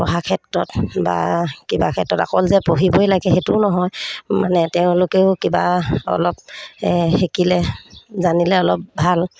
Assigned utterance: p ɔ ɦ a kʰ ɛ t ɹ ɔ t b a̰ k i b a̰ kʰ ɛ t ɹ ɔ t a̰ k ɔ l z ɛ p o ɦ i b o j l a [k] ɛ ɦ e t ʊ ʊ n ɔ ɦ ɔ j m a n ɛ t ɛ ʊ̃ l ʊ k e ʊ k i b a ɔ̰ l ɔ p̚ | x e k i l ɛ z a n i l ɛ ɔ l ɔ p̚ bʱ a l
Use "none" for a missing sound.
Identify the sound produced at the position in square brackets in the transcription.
ɡ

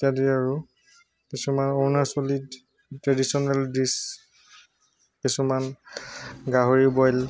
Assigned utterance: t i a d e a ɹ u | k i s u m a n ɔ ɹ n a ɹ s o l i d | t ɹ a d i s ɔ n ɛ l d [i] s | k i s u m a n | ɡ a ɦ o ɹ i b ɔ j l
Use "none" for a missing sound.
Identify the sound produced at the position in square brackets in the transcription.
i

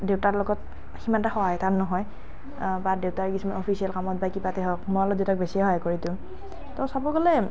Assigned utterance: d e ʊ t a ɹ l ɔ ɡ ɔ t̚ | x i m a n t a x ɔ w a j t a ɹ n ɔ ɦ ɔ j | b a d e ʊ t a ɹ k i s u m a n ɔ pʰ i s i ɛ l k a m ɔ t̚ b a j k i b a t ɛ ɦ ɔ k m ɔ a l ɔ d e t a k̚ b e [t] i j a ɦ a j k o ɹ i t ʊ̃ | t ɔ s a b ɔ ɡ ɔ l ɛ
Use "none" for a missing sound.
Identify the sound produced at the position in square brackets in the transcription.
s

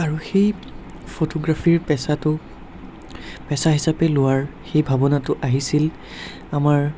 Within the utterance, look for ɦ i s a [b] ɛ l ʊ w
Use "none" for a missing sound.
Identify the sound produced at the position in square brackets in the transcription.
p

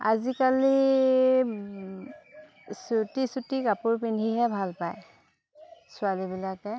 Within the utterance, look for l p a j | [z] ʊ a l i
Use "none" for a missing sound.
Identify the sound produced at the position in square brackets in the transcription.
s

